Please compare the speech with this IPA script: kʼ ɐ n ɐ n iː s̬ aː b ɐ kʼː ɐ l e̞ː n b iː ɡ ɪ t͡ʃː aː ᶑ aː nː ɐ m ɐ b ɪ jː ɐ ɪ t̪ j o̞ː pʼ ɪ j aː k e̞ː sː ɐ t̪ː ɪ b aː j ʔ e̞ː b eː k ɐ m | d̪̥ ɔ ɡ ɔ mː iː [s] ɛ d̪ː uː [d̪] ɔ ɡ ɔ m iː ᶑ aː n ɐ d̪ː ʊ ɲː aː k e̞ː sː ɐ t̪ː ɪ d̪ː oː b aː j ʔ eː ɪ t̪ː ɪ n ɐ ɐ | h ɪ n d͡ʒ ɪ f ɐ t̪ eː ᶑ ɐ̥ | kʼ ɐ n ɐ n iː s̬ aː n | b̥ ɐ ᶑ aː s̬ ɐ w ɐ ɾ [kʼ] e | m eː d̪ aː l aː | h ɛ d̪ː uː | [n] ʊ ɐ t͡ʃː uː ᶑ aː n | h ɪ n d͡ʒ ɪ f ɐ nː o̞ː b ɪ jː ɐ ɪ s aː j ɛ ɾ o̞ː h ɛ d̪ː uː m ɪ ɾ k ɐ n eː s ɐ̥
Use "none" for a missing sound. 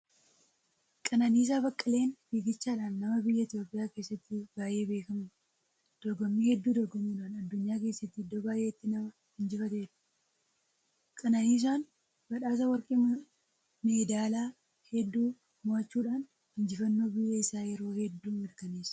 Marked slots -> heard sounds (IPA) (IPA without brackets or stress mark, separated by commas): h, d̪, kʼ, m